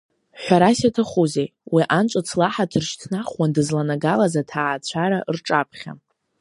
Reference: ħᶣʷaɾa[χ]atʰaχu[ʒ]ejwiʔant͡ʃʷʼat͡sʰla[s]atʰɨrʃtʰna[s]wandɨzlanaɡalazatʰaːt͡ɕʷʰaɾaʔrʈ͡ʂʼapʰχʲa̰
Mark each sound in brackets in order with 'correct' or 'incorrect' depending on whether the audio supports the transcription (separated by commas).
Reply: incorrect, incorrect, incorrect, incorrect